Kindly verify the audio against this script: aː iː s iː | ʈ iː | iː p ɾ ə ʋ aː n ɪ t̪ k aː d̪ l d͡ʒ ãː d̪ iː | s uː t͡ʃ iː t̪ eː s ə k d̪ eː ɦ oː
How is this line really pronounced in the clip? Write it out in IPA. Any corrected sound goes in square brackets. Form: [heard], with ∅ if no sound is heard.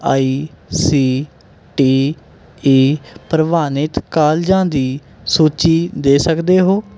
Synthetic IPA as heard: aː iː s iː | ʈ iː | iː p ɾ ə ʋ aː n ɪ t̪ k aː [∅] l d͡ʒ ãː d̪ iː | s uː t͡ʃ iː [d̪] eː s ə k d̪ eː ɦ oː